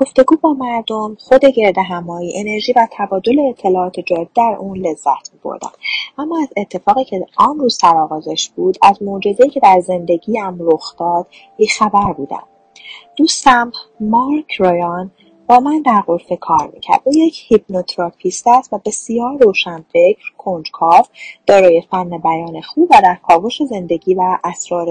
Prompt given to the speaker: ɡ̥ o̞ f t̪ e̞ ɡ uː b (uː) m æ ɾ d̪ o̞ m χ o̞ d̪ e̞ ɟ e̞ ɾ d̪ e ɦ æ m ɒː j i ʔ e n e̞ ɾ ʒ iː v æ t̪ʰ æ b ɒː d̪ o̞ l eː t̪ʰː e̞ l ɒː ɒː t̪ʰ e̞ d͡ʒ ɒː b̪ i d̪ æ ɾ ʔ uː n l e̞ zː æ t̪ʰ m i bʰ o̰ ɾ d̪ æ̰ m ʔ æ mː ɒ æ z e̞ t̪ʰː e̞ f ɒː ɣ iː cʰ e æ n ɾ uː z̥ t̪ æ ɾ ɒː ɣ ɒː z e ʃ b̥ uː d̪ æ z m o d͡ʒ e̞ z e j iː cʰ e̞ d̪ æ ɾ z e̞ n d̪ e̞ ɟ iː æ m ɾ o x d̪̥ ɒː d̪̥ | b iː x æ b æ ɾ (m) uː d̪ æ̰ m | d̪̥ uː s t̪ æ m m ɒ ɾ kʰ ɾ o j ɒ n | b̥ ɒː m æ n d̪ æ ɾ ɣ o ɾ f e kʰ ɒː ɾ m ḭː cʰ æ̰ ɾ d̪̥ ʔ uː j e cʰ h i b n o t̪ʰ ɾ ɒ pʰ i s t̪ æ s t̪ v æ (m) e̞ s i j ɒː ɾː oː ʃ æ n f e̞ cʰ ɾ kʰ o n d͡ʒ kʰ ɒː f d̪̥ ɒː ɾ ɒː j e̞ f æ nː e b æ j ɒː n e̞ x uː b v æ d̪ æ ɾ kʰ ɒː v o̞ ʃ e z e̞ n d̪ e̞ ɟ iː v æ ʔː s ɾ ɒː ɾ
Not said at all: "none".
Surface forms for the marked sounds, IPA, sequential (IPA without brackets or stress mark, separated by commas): ɒː, b, b